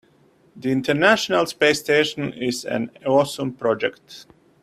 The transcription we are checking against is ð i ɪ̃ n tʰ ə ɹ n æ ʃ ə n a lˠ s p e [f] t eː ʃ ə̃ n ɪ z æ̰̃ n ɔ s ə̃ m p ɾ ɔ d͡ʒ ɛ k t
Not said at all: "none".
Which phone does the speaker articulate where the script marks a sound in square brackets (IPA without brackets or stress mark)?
s